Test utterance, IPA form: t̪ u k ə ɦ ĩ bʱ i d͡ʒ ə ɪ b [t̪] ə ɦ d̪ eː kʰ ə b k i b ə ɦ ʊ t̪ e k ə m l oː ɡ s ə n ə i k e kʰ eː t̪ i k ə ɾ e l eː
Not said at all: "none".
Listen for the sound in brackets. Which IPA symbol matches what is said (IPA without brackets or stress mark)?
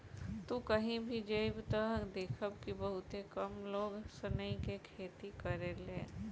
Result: t̪